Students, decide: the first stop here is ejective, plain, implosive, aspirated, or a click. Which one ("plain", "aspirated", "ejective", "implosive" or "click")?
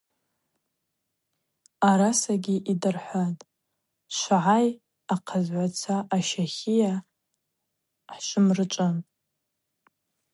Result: plain